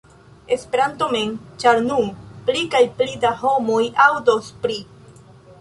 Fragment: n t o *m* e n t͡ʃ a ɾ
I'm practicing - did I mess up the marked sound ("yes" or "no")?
no